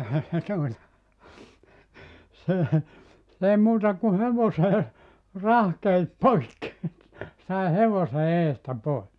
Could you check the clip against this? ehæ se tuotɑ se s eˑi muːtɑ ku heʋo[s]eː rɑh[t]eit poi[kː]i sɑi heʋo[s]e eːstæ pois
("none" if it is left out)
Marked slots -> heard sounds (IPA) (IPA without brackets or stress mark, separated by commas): s, k, kː, s